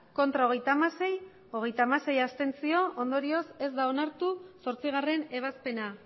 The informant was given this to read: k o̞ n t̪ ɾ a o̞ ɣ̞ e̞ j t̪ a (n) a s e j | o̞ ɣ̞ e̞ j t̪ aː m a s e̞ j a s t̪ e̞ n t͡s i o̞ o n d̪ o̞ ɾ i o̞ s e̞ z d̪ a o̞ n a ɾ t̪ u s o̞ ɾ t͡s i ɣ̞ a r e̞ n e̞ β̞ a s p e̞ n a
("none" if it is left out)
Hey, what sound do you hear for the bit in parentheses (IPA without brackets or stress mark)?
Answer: m